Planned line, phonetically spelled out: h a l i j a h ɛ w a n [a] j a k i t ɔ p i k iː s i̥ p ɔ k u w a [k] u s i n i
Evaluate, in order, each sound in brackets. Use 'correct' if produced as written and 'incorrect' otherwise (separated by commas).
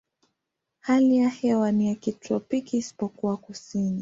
incorrect, correct